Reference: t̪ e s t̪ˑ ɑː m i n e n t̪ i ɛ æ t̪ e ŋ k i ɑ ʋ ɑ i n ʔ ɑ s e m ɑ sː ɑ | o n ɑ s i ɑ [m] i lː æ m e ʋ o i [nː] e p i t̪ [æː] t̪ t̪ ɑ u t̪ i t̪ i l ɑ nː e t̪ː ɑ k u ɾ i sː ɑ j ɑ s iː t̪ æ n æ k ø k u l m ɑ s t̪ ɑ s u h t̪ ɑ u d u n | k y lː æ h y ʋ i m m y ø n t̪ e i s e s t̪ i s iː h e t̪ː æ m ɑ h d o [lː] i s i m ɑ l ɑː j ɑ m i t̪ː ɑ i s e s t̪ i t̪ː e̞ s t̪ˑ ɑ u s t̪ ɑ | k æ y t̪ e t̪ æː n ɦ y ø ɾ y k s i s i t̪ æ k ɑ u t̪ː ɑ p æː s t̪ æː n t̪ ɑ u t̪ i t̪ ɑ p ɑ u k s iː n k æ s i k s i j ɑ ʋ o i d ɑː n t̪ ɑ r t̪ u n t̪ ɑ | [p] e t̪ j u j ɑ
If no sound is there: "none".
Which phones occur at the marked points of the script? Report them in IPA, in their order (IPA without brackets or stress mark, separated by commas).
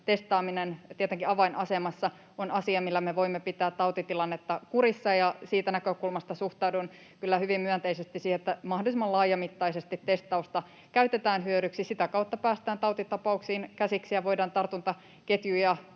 m, mː, æː, l, k